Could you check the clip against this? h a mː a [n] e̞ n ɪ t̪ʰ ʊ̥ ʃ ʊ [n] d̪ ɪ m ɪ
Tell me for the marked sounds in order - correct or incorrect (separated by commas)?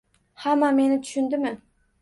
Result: incorrect, correct